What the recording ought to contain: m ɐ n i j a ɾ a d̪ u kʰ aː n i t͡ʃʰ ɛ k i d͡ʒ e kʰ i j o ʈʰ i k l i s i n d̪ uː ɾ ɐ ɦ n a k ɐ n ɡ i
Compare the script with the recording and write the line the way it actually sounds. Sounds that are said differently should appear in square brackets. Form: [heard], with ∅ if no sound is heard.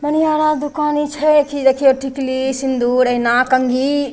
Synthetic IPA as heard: m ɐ n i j a ɾ a d̪ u [k] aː n i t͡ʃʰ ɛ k i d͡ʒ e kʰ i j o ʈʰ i k l i s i n d̪ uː ɾ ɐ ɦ n a k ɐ [ŋ] ɡ i